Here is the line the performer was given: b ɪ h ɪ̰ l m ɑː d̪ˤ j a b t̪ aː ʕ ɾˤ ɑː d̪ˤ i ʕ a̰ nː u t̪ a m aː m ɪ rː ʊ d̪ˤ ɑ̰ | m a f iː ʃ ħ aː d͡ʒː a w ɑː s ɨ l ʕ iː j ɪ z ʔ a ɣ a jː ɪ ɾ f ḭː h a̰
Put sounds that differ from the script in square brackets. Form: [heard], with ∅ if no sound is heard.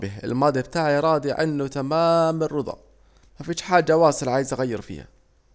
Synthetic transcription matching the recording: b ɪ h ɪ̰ l m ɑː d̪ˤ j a b t̪ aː ʕ ɾˤ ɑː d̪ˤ i ʕ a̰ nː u t̪ a m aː m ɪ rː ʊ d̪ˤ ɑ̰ | m a f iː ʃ ħ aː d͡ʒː a w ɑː s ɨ l ʕ [aː] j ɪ z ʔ a ɣ a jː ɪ ɾ f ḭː h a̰